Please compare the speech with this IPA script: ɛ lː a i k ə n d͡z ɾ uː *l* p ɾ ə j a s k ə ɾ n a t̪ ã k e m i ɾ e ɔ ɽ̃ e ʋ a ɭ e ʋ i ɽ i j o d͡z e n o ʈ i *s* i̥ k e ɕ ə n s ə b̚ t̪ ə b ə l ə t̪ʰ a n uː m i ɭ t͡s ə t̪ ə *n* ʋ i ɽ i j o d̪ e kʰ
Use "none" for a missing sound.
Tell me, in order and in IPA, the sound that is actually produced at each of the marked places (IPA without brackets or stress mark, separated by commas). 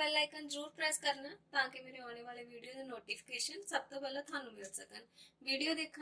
ɾ, f, n